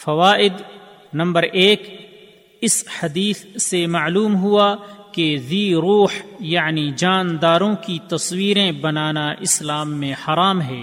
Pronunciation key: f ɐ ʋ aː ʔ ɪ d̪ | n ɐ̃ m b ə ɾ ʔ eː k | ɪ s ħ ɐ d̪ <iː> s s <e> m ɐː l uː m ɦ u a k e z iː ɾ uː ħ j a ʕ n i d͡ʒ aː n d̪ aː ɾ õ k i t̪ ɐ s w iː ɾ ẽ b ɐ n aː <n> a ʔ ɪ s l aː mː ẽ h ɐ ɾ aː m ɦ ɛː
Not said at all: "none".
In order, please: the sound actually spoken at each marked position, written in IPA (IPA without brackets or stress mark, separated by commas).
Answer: iː, e, n